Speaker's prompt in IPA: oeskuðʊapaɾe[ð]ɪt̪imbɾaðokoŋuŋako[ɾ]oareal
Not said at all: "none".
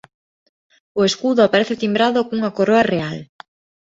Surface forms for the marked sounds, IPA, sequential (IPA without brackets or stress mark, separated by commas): θ, ɾ